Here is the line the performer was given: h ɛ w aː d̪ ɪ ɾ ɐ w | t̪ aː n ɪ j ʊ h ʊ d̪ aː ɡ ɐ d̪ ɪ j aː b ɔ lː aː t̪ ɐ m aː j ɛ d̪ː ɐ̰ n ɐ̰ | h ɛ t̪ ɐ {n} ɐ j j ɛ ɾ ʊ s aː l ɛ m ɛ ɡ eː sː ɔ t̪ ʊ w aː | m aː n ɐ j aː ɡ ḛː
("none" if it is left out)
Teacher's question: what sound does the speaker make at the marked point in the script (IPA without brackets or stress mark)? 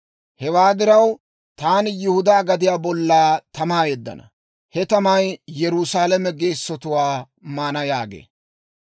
m